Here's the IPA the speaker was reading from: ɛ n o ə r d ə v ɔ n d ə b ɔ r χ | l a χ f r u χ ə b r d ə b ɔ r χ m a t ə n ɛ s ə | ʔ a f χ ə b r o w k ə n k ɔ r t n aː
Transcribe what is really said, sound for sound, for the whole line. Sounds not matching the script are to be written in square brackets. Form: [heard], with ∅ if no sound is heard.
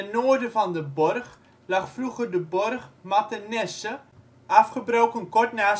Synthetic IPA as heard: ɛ n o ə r d ə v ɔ n d ə b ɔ r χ | l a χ f r u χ ə [∅] r d ə b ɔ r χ m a t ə n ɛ s ə | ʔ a f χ ə b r o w k ə n k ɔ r t n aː